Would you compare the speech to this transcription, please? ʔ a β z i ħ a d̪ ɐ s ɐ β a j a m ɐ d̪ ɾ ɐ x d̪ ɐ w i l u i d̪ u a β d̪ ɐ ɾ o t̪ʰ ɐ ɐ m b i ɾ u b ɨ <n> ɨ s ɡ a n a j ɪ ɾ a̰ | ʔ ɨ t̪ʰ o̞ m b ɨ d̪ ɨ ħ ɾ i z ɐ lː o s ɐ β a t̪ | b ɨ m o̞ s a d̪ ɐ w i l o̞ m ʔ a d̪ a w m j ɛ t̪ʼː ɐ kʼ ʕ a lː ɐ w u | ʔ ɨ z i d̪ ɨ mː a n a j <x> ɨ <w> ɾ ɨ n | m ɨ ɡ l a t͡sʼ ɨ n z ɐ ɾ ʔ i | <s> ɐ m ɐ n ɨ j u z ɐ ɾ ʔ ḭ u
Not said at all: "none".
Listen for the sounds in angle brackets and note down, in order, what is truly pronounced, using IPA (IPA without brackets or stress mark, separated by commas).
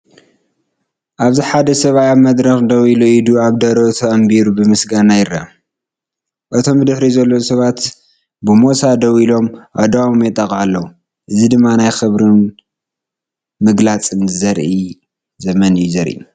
m, x, β, z